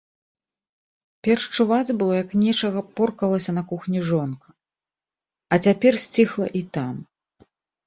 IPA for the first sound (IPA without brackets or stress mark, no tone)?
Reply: pʲ